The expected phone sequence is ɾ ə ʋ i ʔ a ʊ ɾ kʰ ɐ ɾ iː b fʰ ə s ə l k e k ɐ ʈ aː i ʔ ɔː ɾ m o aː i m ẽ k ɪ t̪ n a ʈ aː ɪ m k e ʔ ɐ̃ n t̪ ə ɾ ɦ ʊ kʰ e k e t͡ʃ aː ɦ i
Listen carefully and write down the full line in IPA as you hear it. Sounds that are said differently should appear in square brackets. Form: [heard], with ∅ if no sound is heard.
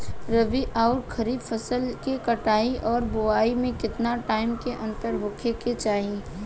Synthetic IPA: ɾ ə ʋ i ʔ a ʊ ɾ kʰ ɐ ɾ iː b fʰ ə s ə l k e k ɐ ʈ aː i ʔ ɔː ɾ [b] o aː i m ẽ k ɪ t̪ n a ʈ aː ɪ m k e ʔ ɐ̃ n t̪ ə ɾ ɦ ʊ kʰ e k e t͡ʃ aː ɦ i